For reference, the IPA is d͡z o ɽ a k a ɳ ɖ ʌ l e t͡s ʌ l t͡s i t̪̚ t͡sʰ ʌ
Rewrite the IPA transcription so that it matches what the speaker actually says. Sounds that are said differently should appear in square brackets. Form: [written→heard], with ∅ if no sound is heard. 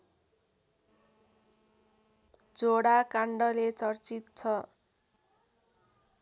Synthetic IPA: d͡z o ɽ a k a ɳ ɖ ʌ l e t͡s ʌ [l→r] t͡s i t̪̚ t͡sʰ ʌ